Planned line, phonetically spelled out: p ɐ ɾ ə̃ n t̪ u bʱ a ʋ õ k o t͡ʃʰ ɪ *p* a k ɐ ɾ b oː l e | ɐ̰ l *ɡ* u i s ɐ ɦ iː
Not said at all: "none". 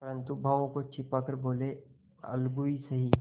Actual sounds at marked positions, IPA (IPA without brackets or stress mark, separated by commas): p, ɡ